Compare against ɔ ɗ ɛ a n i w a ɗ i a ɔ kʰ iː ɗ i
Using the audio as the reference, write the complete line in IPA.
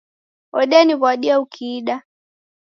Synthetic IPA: ɔ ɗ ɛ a n i β a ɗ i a u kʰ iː ɗ a